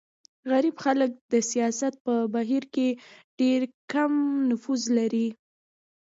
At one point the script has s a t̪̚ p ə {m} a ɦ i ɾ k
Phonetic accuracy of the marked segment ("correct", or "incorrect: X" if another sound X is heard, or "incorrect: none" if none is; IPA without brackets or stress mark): incorrect: b